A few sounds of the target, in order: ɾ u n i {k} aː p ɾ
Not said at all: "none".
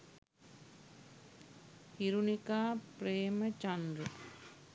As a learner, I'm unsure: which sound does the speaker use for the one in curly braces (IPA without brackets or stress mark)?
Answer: k